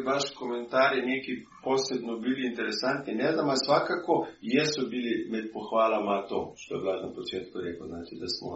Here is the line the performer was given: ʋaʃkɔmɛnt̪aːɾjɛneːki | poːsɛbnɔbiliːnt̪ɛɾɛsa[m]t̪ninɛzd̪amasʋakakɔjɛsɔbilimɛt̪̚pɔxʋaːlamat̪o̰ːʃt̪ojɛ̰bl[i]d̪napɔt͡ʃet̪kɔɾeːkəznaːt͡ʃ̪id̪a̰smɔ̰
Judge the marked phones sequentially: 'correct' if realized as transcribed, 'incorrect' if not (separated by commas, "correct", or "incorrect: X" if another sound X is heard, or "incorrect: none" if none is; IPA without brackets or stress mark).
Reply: incorrect: n, incorrect: a